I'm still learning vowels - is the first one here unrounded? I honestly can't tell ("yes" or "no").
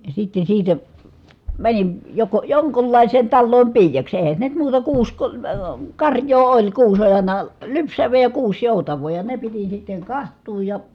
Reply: yes